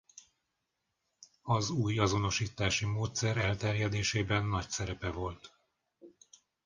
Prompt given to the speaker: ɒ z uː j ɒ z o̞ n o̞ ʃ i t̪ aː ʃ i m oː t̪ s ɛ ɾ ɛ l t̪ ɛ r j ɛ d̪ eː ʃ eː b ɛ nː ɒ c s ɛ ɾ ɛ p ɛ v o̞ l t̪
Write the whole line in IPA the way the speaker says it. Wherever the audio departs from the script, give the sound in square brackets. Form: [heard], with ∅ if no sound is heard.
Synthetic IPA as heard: ɒ z uː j ɒ z o̞ n o̞ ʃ [iː] t̪ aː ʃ i m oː t̪ s ɛ ɾ ɛ l t̪ ɛ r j ɛ d̪ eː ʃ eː b ɛ nː ɒ c s ɛ ɾ ɛ p ɛ v o̞ l t̪